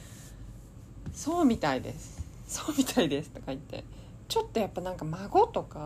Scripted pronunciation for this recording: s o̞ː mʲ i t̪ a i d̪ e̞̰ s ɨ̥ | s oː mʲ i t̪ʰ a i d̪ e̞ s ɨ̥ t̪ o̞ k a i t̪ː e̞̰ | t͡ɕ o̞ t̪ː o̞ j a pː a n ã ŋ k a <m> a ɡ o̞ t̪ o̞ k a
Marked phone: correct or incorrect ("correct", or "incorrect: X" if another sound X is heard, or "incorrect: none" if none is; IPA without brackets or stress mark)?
correct